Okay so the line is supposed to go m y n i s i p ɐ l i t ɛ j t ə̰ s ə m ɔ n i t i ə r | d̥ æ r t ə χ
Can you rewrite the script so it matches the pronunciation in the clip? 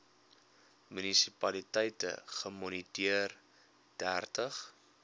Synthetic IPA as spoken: m y n i s i p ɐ l i t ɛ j t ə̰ χ ə m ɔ n i t i ə r | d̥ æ r t ə χ